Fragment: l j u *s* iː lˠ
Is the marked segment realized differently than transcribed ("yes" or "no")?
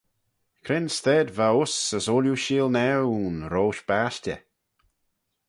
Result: yes